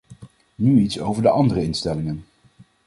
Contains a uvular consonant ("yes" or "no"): no